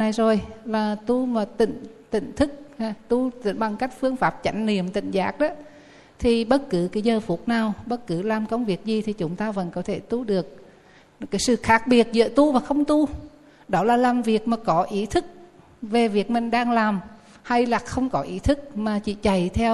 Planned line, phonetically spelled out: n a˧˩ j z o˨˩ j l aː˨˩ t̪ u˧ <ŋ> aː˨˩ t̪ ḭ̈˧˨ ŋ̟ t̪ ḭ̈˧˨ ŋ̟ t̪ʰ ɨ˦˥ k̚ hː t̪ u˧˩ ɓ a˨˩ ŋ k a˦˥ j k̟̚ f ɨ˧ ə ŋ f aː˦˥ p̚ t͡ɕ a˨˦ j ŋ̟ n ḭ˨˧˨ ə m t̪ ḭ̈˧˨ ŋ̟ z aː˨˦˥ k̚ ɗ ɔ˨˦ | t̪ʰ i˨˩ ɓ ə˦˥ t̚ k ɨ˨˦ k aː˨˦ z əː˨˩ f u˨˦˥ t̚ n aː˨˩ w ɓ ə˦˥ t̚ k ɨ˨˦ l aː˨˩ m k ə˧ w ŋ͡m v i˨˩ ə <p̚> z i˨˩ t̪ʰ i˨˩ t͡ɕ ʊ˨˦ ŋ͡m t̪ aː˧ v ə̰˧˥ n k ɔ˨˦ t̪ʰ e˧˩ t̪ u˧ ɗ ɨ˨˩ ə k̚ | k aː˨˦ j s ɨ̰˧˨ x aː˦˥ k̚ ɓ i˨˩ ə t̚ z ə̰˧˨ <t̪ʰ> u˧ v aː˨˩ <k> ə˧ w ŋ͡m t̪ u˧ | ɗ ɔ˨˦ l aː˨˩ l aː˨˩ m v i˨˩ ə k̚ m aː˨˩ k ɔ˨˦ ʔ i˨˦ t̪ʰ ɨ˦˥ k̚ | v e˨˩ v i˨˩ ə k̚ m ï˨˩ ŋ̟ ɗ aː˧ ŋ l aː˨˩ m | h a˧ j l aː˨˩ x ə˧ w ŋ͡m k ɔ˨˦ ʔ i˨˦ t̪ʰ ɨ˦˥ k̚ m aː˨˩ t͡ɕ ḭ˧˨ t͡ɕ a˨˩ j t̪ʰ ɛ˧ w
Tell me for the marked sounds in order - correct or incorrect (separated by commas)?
incorrect, incorrect, incorrect, incorrect